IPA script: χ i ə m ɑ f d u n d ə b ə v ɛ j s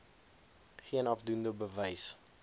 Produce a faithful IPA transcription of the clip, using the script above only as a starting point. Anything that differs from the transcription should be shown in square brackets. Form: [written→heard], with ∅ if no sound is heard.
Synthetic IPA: χ i ə [m→n] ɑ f d u n d ə b ə v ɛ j s